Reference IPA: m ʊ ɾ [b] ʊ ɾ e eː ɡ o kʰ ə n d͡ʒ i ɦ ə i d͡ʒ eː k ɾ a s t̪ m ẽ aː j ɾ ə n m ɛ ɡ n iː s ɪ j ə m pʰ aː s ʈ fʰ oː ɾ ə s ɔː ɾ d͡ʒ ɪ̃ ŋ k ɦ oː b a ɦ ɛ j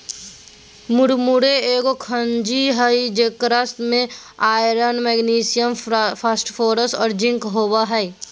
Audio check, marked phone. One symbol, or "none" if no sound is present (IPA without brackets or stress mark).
m